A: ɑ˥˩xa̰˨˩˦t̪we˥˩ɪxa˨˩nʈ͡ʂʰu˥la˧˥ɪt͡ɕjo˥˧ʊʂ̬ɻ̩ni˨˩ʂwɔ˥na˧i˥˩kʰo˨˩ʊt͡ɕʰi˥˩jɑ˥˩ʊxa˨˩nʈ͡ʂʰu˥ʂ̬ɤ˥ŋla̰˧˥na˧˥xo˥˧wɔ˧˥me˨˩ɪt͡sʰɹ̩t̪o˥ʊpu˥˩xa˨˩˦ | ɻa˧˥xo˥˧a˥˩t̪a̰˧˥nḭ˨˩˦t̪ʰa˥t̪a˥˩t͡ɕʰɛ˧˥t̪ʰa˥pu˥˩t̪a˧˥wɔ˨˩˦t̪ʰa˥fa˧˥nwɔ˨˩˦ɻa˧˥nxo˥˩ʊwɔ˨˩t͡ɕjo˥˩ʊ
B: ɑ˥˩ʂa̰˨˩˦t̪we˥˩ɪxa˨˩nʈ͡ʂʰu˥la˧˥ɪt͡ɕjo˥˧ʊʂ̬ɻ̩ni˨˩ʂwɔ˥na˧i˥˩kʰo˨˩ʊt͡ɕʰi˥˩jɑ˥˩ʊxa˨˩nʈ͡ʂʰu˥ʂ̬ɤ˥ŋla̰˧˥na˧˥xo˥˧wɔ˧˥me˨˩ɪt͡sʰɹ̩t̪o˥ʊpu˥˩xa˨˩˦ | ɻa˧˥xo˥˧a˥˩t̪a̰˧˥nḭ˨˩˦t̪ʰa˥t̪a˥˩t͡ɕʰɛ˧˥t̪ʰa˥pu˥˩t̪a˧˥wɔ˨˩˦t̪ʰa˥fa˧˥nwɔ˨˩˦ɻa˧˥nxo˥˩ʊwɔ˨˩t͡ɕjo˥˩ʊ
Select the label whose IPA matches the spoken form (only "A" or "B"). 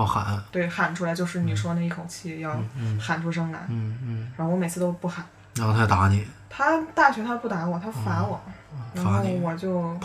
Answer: A